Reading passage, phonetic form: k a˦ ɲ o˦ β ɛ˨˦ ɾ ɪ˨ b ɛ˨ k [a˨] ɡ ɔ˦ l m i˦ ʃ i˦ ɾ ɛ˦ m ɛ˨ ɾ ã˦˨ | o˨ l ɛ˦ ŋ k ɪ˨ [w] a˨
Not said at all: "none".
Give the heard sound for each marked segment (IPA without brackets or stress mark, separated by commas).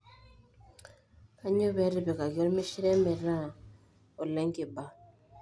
a˨, b